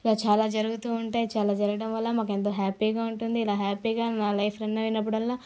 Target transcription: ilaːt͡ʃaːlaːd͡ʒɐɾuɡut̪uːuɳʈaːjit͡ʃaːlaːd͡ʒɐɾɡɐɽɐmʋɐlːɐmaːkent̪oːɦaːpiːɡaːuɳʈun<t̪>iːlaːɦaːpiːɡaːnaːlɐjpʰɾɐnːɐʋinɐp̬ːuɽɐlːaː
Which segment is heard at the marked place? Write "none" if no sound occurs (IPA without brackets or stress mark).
d̪